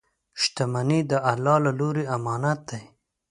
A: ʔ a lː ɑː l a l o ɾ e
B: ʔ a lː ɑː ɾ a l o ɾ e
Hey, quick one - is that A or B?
A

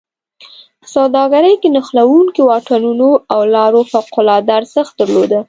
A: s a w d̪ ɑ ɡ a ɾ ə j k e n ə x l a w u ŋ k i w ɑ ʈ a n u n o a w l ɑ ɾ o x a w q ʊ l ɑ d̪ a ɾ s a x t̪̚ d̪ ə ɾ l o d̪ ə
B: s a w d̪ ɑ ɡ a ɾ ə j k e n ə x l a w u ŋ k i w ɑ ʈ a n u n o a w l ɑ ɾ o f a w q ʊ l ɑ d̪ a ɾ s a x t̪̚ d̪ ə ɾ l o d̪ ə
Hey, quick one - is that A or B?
B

